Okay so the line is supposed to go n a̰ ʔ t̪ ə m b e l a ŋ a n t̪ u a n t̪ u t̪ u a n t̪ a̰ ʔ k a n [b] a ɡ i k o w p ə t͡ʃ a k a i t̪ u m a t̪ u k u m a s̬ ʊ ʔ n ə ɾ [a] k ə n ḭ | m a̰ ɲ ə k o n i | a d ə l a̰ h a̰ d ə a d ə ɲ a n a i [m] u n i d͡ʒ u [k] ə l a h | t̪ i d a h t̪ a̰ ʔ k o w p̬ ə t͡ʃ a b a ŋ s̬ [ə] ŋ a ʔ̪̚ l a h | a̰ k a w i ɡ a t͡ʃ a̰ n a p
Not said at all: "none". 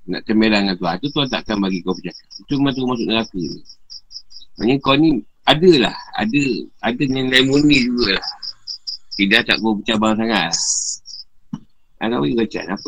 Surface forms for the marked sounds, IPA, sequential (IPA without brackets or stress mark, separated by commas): b, a, m, ɡ, a